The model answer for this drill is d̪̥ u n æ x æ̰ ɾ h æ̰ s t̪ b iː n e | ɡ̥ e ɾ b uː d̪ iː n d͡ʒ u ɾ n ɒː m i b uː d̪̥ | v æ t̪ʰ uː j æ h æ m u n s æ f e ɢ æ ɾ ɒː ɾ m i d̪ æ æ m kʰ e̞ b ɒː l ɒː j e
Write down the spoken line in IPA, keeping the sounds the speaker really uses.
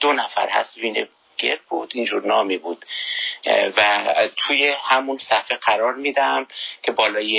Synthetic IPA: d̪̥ o n æ f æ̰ ɾ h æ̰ s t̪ v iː n e | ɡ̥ e ɾ b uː d̪ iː n d͡ʒ u ɾ n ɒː m i b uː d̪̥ | v æ t̪ʰ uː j e h æ m u n s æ f e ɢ æ ɾ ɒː ɾ m i d̪ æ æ m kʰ e̞ b ɒː l ɒː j e